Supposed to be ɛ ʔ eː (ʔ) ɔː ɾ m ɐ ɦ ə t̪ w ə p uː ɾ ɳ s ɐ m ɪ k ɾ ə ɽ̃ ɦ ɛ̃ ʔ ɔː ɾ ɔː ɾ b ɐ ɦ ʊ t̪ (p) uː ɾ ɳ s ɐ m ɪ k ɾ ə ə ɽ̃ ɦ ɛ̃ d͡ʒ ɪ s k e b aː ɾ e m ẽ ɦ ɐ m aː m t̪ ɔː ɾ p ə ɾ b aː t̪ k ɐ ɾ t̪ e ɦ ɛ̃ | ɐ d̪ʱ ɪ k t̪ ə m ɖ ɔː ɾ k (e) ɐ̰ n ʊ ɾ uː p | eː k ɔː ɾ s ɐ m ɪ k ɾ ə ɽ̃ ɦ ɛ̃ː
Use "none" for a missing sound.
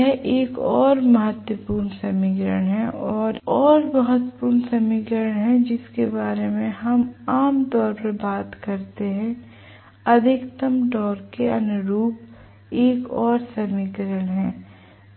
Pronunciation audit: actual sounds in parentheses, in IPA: k, p, e

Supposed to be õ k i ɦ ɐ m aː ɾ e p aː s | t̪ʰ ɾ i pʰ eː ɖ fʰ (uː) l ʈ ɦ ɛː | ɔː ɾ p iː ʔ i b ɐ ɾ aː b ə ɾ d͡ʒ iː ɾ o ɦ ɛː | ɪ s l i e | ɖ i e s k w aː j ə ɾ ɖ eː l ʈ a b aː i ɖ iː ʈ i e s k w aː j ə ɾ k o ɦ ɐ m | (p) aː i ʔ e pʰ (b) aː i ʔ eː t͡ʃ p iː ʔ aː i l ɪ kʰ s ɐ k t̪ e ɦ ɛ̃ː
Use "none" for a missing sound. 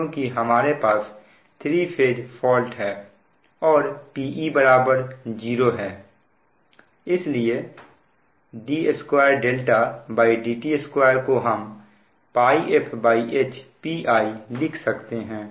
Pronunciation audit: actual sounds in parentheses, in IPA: ɔː, p, b

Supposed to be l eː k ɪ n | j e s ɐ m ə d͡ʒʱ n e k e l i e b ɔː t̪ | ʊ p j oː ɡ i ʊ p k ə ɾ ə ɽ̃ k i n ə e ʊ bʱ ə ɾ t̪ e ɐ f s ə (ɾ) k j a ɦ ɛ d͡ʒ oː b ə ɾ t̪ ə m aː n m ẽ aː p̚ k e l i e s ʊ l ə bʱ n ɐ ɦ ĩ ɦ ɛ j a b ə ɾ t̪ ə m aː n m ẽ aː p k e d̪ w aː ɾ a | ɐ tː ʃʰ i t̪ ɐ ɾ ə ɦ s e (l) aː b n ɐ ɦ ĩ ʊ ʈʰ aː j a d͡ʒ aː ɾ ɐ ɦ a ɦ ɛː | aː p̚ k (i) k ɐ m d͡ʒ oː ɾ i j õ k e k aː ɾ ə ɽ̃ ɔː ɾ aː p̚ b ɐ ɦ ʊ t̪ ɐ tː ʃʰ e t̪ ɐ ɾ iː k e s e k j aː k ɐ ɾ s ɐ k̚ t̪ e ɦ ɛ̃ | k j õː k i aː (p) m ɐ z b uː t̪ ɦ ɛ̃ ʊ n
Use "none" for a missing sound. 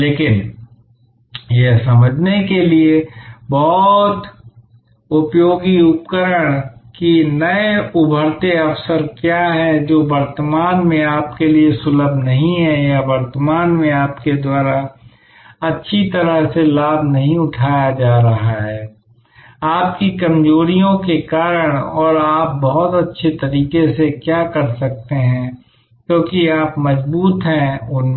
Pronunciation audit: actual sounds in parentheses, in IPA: ɾ, l, i, p

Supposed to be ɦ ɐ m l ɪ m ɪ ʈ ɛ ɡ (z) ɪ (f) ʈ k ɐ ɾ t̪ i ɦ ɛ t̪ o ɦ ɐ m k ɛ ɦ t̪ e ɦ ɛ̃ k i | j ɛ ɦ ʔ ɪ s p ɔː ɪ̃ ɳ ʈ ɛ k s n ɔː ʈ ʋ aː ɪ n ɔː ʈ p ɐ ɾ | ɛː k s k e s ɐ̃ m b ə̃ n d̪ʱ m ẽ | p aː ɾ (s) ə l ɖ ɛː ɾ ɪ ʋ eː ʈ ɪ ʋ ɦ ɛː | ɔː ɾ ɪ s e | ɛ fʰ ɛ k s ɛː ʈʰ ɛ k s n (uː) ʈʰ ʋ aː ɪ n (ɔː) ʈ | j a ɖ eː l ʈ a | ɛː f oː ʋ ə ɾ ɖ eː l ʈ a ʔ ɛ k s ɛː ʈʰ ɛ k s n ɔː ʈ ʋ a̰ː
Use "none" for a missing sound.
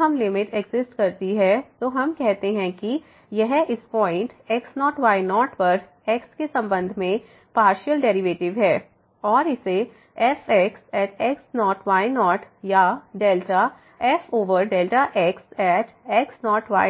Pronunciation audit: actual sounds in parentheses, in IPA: z, s, ʃ, ɔː, ɔː

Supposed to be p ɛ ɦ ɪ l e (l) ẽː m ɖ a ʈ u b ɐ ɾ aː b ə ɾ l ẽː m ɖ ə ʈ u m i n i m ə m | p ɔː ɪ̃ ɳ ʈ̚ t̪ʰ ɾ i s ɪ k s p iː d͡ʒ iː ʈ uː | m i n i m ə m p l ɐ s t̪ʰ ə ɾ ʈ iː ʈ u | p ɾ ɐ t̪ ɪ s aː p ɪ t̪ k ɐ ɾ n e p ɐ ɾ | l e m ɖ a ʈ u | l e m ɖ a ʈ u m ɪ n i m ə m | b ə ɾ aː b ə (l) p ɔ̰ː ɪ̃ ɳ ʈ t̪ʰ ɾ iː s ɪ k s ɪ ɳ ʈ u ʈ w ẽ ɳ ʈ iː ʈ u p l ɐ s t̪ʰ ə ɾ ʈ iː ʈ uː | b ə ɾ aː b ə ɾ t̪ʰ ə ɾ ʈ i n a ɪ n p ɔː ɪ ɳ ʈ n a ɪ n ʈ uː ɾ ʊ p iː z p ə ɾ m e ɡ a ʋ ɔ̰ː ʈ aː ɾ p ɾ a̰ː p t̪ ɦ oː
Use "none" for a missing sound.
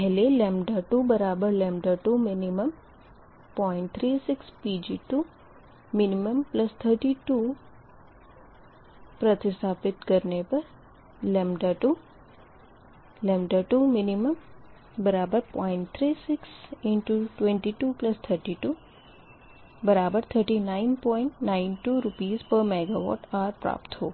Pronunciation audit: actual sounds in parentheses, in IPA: l, ɾ

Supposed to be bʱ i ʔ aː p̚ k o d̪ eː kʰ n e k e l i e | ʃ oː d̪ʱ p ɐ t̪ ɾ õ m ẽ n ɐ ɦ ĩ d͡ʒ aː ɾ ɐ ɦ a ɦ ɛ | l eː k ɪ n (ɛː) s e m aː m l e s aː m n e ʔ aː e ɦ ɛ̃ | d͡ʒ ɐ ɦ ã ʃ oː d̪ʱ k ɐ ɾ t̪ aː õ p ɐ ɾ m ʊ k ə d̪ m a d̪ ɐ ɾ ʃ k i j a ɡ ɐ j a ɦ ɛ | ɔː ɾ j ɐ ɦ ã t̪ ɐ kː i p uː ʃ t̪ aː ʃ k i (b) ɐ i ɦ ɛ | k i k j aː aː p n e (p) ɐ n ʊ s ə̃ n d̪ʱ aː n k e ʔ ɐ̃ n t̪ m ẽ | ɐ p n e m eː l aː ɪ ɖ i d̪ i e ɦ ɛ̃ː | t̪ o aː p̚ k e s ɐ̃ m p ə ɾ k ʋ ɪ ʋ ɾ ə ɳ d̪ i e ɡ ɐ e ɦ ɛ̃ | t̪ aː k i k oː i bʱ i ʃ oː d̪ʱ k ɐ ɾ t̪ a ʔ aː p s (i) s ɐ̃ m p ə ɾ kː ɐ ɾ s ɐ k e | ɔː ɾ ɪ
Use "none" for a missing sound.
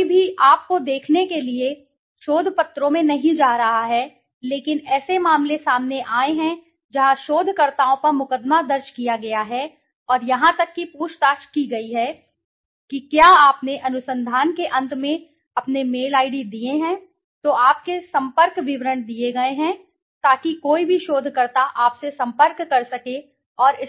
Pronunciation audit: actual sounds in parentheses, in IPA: ɛː, ɡ, ʔ, e

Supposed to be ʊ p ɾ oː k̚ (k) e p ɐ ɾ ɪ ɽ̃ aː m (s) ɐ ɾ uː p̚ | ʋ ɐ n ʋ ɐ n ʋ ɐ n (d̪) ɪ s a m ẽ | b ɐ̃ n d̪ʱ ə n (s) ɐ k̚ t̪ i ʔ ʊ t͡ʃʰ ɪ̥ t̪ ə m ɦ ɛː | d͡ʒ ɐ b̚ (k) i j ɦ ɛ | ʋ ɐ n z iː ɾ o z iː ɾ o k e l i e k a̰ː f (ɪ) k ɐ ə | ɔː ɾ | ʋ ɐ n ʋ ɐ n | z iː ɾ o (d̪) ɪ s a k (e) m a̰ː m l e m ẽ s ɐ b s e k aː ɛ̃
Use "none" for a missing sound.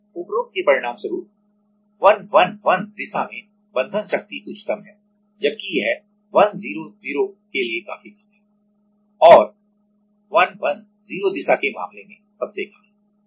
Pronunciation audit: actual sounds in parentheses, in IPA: k, s, d̪, ʃ, k, i, d̪, e

